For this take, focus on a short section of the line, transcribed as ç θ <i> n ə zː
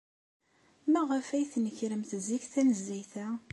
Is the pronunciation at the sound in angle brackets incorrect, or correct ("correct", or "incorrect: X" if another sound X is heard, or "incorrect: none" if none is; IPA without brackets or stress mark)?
incorrect: æ